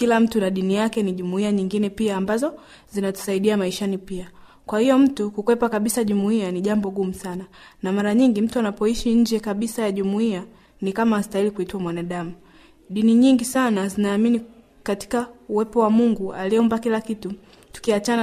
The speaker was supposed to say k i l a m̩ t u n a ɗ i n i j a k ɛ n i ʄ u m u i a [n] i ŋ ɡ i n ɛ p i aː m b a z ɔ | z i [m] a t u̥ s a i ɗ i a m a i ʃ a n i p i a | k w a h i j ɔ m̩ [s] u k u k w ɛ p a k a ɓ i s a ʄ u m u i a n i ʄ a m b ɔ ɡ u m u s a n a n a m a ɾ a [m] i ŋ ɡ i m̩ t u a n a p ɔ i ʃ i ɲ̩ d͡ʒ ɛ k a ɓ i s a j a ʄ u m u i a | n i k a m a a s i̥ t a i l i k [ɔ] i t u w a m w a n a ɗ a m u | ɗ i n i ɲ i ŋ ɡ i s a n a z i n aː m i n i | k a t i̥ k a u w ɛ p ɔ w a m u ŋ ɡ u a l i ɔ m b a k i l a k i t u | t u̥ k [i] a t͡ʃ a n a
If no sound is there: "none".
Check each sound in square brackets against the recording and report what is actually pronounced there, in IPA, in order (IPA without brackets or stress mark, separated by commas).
ɲ, n, t, ɲ, u, i